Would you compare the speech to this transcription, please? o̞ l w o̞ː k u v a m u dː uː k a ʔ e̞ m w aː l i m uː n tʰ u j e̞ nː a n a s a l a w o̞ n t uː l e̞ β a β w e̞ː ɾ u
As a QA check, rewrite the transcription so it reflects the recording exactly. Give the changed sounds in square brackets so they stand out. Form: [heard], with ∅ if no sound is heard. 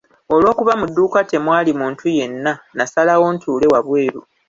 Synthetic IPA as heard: o̞ l w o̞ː k u [β] a m u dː uː k a [t] e̞ m w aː l i m uː n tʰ u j e̞ nː a n a s a l a w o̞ n t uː l e̞ [w] a β w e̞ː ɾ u